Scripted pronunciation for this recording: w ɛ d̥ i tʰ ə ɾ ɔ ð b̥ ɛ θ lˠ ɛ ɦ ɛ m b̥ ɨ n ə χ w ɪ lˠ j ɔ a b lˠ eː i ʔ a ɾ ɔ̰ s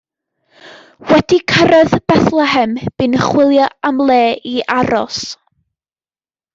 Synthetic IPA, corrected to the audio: w ɛ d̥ i kʰ ə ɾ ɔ ð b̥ ɛ θ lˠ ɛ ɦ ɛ m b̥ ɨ n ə χ w ɪ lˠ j ɔ a m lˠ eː i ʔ a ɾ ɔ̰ s